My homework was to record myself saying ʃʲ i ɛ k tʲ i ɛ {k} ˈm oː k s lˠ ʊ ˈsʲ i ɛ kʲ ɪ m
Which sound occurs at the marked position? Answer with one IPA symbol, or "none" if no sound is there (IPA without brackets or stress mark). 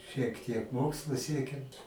k